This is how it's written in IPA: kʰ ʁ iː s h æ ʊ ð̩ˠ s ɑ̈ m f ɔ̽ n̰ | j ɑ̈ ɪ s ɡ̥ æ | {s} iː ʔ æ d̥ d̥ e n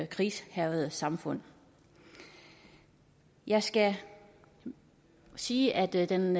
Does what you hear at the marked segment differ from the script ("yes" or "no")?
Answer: no